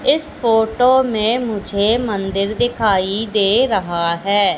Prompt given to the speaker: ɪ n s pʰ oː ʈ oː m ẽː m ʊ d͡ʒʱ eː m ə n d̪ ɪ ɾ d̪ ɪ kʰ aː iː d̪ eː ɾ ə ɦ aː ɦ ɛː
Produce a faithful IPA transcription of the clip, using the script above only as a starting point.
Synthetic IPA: ɪ s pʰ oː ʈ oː m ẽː m ʊ d͡ʒʱ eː m ə n d̪ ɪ ɾ d̪ ɪ kʰ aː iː d̪ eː ɾ ə ɦ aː ɦ ɛː